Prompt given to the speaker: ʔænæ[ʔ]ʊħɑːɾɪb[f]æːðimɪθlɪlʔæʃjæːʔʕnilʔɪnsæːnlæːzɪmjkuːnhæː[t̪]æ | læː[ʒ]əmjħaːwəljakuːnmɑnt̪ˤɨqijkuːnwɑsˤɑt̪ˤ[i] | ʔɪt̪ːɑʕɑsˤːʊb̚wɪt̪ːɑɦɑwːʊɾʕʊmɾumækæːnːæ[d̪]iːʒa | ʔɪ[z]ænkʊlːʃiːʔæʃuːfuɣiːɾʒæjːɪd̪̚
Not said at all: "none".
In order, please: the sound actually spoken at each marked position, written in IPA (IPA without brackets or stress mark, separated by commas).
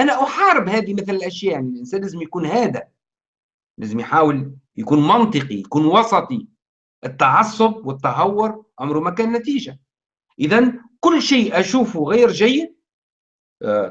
ʔ, h, d̪, z, i, t̪, ð